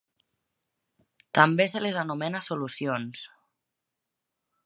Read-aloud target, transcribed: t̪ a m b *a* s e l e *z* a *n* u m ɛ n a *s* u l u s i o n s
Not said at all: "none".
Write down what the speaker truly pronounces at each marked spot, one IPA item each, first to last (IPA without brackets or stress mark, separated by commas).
e, z, n, s